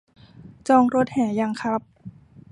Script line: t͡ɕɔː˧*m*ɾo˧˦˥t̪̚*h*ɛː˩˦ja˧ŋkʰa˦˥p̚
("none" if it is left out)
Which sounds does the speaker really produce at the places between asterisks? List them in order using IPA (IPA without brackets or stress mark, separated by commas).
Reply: ŋ, h